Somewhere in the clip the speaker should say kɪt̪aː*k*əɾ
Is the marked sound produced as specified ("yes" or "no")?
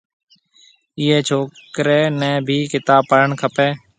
no